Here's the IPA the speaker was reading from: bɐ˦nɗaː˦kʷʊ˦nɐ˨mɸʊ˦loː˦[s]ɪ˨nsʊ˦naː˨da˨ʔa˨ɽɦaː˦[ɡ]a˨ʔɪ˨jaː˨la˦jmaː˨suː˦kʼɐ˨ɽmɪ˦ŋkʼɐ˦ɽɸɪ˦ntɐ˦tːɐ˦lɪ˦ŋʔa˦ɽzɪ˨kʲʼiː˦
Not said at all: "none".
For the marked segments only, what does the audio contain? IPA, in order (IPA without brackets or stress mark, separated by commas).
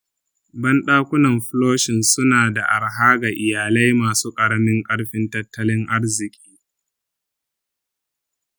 ʃ, ɡ